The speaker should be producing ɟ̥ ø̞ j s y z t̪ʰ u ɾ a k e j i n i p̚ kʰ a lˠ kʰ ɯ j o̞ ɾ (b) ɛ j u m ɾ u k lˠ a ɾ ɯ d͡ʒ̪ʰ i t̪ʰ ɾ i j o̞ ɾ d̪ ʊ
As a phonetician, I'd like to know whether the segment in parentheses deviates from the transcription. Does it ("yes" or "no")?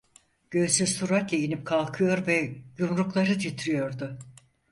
yes